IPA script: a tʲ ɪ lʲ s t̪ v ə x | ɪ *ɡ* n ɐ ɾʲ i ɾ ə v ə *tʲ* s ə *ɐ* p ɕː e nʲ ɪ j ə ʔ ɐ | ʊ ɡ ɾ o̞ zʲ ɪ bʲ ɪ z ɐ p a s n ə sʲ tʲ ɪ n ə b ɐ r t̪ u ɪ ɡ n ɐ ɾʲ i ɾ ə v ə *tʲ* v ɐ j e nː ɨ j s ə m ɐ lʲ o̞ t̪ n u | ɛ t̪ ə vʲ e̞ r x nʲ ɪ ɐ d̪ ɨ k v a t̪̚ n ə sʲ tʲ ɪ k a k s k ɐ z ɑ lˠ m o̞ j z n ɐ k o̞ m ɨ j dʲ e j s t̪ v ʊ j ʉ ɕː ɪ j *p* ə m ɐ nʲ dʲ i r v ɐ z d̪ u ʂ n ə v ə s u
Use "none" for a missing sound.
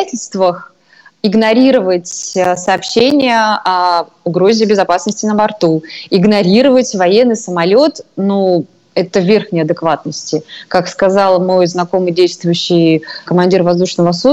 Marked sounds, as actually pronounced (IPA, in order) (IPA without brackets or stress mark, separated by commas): ɡ, tʲ, ɐː, tʲ, k